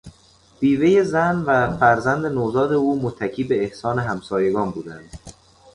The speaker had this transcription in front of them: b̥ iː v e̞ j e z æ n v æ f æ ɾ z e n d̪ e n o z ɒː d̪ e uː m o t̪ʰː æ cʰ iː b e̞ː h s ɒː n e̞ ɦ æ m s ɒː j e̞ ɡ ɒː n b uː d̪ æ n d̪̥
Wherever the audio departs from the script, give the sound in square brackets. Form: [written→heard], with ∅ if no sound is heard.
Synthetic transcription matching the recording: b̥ iː v e̞ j e z æ n v æ f æ ɾ z [e→æ] n d̪ e n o z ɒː d̪ e uː m o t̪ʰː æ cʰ iː b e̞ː h s ɒː n e̞ ɦ æ m s ɒː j e̞ ɡ ɒː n b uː d̪ æ n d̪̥